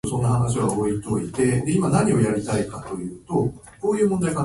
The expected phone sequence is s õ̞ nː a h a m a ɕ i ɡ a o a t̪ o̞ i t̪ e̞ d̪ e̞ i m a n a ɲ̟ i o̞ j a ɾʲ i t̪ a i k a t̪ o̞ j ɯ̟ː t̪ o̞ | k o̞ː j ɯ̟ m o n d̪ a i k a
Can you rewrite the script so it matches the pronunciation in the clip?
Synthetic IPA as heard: s õ̞ nː a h a n a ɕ i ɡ a o i t̪ o̞ i t̪ e̞ d̪ e̞ i m a n a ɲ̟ i o̞ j a ɾʲ i t̪ a i k a t̪ o̞ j ɯ̟ː t̪ o̞ | k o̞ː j ɯ̟ː m o n d̪ a i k a